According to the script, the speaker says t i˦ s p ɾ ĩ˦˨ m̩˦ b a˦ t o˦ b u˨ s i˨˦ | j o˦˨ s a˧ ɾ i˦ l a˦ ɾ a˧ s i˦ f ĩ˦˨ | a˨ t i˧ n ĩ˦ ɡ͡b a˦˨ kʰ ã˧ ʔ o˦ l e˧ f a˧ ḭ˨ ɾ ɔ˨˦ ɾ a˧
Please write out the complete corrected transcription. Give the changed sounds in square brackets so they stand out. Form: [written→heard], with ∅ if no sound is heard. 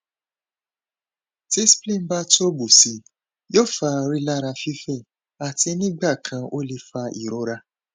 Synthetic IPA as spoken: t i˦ s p [ɾ→l] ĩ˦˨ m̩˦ b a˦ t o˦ b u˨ s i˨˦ | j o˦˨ [s→f] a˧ ɾ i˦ l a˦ ɾ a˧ [s→f] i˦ f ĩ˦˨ | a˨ t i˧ n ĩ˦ ɡ͡b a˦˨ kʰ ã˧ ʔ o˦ l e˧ f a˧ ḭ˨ ɾ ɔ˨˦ ɾ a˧